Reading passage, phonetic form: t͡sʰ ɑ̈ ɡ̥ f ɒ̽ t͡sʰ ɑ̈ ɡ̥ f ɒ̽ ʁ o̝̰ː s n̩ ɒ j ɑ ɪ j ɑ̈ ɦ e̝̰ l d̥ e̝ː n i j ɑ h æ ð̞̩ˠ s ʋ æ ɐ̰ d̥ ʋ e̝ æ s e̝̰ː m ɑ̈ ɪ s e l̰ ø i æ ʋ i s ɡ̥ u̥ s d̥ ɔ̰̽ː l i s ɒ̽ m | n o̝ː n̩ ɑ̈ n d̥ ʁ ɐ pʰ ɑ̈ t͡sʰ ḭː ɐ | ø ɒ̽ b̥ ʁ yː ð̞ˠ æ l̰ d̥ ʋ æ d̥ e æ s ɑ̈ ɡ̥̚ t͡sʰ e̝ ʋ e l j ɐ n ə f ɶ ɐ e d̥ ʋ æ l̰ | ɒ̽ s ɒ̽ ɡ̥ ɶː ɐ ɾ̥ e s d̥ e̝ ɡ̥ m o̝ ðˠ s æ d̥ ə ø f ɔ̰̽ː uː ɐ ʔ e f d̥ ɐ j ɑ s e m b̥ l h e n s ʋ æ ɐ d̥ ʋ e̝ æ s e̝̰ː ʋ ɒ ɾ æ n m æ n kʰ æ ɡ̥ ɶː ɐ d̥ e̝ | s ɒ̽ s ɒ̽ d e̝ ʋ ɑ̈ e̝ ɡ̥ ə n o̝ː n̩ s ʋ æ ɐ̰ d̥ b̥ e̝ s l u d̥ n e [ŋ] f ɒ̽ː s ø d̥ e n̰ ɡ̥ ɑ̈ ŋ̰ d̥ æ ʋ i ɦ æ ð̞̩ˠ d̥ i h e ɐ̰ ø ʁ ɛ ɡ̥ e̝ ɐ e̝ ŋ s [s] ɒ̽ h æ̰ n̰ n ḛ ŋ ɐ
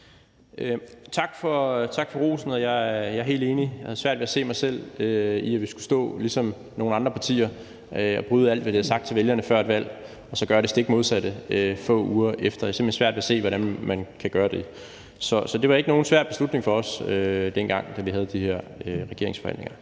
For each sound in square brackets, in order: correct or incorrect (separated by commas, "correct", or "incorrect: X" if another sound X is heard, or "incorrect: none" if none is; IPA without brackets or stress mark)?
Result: correct, incorrect: f